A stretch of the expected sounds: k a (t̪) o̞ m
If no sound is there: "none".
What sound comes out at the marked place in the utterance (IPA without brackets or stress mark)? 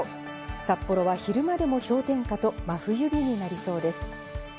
t̪